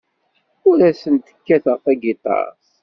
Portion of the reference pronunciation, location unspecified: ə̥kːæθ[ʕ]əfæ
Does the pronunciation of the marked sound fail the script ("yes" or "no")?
yes